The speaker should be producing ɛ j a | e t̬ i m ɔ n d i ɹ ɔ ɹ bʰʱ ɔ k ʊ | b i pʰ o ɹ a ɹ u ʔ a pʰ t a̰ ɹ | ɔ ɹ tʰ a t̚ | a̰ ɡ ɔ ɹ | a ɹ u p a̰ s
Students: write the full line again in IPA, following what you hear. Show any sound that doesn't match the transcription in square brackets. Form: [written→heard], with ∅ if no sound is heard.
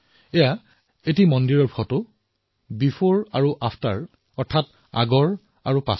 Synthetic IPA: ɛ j a | e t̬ i m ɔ n d i ɹ ɔ ɹ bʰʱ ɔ [k→t] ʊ | b i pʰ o ɹ a ɹ u ʔ a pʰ t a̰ ɹ | ɔ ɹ tʰ a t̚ | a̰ ɡ ɔ ɹ | a ɹ u p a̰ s